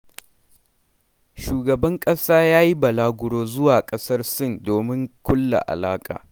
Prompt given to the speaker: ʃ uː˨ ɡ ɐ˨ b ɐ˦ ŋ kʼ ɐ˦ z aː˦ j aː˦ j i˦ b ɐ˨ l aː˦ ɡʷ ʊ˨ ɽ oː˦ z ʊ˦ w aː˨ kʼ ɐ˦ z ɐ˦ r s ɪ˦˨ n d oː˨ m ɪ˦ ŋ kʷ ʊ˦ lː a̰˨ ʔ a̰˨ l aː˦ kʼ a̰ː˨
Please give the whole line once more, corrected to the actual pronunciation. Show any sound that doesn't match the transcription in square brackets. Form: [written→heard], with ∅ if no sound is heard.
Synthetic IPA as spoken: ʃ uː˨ ɡ ɐ˨ b ɐ˦ ŋ kʼ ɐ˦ [z→s] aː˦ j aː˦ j i˦ b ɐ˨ l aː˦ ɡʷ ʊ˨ ɽ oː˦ z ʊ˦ w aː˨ kʼ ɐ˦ [z→s] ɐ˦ r s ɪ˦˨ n d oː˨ m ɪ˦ ŋ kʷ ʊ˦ lː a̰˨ ʔ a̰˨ l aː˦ kʼ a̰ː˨